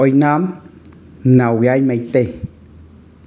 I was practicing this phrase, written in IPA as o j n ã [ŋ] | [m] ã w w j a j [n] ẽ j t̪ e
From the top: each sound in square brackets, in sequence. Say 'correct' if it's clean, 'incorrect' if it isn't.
incorrect, incorrect, incorrect

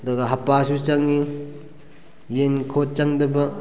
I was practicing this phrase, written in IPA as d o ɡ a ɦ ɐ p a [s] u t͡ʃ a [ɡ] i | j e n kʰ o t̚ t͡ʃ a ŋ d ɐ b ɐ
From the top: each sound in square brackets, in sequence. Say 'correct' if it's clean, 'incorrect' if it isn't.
correct, incorrect

